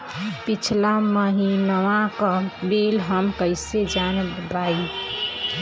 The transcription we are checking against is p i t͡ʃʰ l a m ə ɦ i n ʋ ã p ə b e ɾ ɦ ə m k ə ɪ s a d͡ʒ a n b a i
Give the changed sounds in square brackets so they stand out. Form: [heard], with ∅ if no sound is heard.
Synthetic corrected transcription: p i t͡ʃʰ l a m ə ɦ i n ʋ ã [k] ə b e [l] ɦ ə m k ə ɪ s [e] d͡ʒ a n b a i

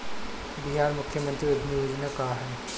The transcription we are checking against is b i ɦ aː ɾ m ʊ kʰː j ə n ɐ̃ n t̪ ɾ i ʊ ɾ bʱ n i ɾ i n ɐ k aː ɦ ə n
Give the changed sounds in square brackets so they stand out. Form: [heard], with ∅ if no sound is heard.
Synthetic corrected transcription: b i ɦ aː ɾ m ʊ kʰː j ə [m] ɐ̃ n t̪ ɾ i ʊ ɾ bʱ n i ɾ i n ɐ k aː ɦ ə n

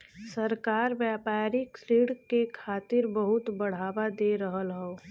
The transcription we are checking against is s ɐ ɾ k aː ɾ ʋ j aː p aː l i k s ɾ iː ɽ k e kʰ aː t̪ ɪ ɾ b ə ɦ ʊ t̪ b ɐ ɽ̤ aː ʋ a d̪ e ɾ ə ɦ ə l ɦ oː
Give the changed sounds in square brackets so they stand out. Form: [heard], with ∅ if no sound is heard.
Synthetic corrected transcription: s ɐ ɾ k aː ɾ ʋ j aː p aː [ɾ] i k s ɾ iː ɽ k e kʰ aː t̪ ɪ ɾ b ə ɦ ʊ t̪ b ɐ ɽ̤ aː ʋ a d̪ e ɾ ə ɦ ə l ɦ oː

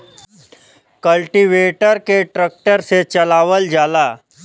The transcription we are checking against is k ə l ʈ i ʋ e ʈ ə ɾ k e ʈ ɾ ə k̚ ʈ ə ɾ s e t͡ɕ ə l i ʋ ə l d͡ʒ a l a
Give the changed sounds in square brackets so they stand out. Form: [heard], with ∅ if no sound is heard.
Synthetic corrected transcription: k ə l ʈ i ʋ e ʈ ə ɾ k e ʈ ɾ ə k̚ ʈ ə ɾ s e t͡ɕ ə l [a] ʋ ə l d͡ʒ a l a

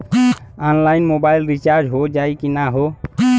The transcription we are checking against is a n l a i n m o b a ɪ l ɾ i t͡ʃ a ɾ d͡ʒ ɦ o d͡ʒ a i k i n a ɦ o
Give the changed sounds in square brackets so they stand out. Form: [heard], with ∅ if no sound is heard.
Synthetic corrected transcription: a n l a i n m o b a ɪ l ɾ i t͡ʃ a ɾ d͡ʒ ɦ o d͡ʒ a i k i n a ɦ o

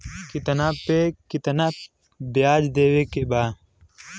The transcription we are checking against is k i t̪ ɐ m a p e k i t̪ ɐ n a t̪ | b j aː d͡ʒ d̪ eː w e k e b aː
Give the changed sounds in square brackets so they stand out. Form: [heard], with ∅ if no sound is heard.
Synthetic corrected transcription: k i t̪ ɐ [n] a p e k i t̪ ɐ n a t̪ | b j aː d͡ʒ d̪ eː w e k e b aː

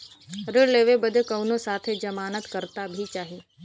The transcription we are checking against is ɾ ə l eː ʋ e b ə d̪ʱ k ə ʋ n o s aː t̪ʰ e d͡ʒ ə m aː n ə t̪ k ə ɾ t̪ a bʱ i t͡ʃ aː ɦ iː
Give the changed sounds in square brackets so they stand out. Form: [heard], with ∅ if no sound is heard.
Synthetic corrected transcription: ɾ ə l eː ʋ e b ə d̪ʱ k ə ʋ n o s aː t̪ʰ e d͡ʒ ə m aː n ə t̪ k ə ɾ t̪ a bʱ i t͡ʃ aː ɦ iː

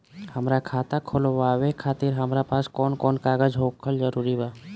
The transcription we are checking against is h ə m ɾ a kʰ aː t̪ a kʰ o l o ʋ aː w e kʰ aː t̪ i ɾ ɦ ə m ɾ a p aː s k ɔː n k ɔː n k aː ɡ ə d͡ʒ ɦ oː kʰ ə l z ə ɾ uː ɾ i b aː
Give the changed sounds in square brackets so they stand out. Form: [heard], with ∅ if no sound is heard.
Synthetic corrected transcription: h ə m ɾ a kʰ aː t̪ a kʰ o l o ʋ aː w e kʰ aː t̪ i ɾ ɦ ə m ɾ a p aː s k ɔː n k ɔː n k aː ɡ ə d͡ʒ ɦ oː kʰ ə l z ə ɾ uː ɾ i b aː

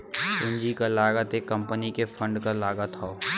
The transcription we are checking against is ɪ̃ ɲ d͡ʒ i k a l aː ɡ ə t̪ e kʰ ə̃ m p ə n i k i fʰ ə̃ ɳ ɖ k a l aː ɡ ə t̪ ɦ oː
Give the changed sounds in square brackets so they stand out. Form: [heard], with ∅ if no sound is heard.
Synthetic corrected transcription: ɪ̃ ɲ d͡ʒ i k a l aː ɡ ə t̪ e [k] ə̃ m p ə n i k [e] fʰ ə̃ ɳ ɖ k a l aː ɡ ə t̪ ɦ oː

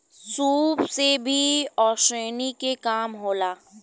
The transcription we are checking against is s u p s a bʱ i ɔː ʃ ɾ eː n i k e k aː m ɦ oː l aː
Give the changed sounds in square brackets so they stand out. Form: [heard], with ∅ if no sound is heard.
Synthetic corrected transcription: s [uː] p s [e] bʱ i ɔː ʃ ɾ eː n i k e k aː m ɦ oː l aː

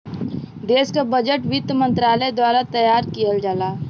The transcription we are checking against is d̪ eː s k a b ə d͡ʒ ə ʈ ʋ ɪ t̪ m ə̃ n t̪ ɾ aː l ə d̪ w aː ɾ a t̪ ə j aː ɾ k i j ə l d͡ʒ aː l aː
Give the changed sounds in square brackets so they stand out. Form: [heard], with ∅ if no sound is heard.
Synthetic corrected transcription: d̪ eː s k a b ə d͡ʒ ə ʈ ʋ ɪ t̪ m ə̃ n t̪ ɾ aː l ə d̪ w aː ɾ a t̪ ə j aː ɾ k i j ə l d͡ʒ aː l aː

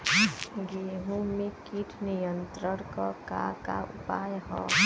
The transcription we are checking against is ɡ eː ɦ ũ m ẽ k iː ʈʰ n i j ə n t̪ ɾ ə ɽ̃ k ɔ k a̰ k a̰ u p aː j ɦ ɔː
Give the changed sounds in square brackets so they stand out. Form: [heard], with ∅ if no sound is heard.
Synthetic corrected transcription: ɡ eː ɦ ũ m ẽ k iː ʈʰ n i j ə n t̪ ɾ ə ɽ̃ k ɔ k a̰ k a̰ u p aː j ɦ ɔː

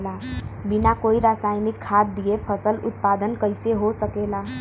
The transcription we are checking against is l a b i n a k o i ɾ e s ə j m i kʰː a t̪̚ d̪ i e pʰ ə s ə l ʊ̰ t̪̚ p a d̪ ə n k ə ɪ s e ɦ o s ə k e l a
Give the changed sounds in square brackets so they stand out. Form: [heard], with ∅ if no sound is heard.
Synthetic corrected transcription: l a b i n a k o i ɾ [a] s [a] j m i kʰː a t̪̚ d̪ i e pʰ ə s ə l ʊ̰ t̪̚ p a d̪ ə n k ə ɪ s e ɦ o s ə k e l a

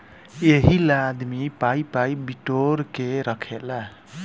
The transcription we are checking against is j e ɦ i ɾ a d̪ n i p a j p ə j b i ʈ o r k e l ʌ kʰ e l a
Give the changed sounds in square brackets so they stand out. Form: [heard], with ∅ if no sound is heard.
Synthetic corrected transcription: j e ɦ i [l] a d̪ [m] i p a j p [a] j b i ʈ o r k e [ɾ] ʌ kʰ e l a

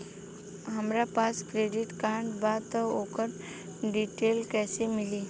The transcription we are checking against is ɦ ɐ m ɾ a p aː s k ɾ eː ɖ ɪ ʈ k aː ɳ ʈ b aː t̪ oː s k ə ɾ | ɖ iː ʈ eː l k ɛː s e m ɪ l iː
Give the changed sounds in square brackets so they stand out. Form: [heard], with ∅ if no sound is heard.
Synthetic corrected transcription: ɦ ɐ m ɾ a p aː s k ɾ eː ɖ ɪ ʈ k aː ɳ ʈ b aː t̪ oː [∅] k ə ɾ | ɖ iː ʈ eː l k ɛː s e m ɪ l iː

